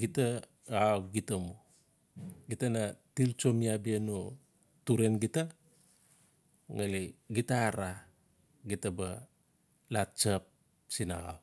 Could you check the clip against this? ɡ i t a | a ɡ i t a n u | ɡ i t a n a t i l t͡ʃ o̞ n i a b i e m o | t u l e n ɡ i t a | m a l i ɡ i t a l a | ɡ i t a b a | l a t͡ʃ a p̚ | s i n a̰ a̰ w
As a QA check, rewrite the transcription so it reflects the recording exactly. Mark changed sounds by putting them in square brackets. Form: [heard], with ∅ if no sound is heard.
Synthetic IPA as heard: ɡ i t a | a ɡ i t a [m] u | ɡ i t a n a t i l t͡ʃ o̞ [m] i a b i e [n] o | t u [ɾ] e n ɡ i t a | [ŋ] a l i ɡ i t a [ɾ] a | ɡ i t a b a | l a t͡ʃ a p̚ | s i n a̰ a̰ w